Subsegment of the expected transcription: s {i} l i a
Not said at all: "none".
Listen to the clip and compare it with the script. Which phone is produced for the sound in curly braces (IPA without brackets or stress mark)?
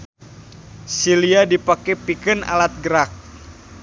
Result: i